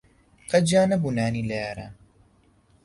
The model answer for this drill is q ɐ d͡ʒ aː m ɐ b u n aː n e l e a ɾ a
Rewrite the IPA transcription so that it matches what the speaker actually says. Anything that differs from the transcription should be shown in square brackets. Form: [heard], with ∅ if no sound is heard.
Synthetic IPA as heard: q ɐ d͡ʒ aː [n] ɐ b u n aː n [i] l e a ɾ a